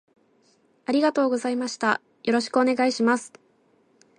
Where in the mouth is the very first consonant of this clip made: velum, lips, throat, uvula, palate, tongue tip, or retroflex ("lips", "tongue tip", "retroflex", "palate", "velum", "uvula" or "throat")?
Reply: tongue tip